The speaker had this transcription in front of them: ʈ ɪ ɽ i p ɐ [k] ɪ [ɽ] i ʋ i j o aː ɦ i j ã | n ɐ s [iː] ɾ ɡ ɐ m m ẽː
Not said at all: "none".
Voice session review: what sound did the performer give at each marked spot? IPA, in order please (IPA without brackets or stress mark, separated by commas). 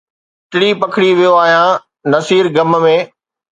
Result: kʰ, ɽ, iː